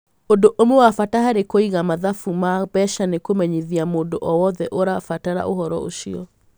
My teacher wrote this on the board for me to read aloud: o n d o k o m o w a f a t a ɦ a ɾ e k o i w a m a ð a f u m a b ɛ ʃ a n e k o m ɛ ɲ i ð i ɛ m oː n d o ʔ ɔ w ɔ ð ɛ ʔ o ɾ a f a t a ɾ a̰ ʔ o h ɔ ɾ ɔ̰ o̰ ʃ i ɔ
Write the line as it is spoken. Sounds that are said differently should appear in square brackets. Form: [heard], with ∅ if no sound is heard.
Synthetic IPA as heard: o n d o [ʔ] o m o w a f a t a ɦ a ɾ e k o i [ɣ] a m a ð a f u m a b ɛ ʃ a n e k o m ɛ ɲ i ð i [a] m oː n d o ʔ ɔ w ɔ ð ɛ ʔ o ɾ a f a t a ɾ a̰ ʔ o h ɔ ɾ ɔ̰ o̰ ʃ i ɔ